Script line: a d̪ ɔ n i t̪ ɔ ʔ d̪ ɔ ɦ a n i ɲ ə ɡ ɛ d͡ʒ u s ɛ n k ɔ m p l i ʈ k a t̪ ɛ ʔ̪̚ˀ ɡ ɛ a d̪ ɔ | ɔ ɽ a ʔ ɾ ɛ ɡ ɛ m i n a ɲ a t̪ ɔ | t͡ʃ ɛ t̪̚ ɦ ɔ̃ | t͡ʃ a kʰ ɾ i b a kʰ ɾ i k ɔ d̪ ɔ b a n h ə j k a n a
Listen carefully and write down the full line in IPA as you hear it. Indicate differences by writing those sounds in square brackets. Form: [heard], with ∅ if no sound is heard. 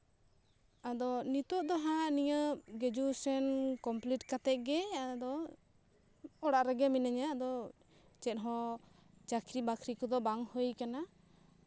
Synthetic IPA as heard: a d̪ ɔ n i t̪ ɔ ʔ d̪ ɔ ɦ a n i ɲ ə ɡ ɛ d͡ʒ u s ɛ n k ɔ m p l i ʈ k a t̪ ɛ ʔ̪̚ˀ ɡ ɛ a d̪ ɔ | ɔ ɽ a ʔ ɾ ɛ ɡ ɛ m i n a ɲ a [d̪] ɔ | t͡ʃ ɛ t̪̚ ɦ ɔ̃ | t͡ʃ a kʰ ɾ i b a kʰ ɾ i k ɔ d̪ ɔ b a [ŋ] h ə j k a n a